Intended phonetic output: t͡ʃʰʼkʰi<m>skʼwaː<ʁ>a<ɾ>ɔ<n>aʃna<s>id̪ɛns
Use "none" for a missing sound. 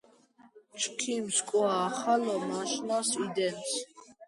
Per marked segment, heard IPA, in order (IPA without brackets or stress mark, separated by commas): m, χ, l, m, s